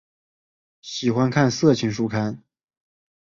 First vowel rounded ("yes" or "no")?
no